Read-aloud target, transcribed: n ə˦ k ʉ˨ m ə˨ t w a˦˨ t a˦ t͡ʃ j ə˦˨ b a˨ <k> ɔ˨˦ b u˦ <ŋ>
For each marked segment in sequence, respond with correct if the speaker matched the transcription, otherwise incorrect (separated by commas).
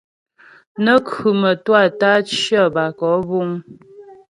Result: correct, correct